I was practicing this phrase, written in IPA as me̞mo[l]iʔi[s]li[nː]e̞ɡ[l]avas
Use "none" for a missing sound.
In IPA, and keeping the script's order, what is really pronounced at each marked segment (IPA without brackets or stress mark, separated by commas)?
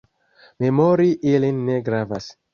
ɾ, none, nː, ɾ